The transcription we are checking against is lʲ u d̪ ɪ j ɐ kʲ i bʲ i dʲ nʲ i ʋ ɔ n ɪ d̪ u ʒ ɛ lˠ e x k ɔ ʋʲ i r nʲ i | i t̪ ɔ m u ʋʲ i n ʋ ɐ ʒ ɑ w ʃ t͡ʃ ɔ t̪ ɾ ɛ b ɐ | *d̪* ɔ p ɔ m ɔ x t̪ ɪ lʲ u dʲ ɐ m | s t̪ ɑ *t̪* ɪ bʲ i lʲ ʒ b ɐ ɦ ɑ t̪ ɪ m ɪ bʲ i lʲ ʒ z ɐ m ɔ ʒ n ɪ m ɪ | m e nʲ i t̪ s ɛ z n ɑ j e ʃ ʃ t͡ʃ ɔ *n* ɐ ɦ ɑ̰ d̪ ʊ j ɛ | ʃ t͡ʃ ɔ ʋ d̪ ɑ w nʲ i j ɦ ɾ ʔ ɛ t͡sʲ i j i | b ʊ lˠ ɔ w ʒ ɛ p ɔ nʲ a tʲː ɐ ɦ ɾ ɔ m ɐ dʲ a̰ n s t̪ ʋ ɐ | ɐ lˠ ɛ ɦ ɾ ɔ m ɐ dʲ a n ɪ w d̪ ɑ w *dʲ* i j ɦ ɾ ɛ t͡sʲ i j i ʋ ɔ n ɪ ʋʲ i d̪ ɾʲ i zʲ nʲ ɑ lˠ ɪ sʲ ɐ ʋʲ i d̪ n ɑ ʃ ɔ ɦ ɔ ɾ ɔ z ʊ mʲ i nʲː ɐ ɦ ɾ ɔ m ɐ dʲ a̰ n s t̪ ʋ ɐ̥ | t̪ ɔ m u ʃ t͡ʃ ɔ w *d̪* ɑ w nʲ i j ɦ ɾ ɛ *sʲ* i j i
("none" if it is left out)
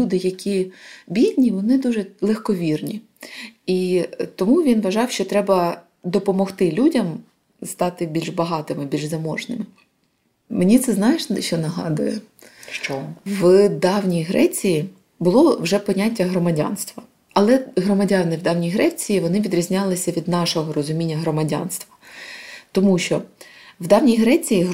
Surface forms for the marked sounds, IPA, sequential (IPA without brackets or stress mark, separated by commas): d̪, t̪, n, nʲ, d̪, t͡sʲ